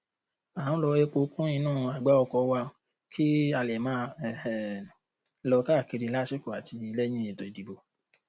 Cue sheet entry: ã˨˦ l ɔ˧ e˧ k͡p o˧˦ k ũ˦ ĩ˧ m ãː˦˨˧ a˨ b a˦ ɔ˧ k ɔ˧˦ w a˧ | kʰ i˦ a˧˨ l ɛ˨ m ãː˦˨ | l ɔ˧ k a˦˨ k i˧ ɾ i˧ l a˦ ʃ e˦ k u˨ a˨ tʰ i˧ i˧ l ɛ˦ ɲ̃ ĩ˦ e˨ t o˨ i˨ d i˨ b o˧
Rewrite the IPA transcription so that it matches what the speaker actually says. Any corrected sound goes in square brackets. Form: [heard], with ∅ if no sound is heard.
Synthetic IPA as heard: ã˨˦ l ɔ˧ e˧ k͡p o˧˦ k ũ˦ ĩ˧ [n] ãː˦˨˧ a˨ [ɡ͡b] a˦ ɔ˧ k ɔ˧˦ w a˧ | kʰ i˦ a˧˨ l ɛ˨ m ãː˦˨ | l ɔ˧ k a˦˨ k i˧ ɾ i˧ l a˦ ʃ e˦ k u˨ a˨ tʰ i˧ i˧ l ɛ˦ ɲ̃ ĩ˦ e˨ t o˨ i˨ d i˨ b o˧